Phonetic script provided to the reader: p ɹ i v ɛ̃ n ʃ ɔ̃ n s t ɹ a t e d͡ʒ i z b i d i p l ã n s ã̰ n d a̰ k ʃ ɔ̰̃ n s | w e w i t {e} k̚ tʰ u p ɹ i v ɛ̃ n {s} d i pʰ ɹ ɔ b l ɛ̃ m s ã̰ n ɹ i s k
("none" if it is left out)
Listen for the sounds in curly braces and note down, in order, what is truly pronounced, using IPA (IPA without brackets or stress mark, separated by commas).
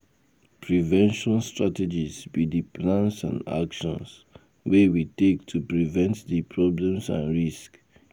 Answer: e, t